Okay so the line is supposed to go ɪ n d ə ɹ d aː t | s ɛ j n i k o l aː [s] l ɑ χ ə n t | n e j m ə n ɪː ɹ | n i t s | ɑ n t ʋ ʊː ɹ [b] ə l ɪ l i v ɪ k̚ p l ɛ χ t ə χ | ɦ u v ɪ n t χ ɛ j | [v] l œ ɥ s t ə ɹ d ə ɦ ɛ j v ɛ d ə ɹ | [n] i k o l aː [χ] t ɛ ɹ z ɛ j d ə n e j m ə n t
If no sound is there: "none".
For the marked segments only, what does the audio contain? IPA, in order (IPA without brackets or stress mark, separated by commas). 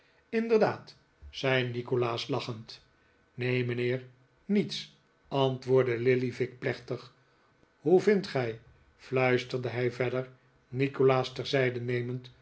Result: s, d, f, n, s